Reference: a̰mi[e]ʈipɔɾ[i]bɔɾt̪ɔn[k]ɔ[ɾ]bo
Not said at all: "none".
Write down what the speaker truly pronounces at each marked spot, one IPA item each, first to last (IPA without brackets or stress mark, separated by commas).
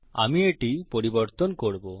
e, i, k, ɽ